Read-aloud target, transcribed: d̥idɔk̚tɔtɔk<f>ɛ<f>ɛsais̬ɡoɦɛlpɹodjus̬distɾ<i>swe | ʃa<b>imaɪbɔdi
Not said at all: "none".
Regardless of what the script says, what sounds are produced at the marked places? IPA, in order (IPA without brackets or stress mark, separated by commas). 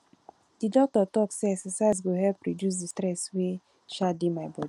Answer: s, s, ɛ, d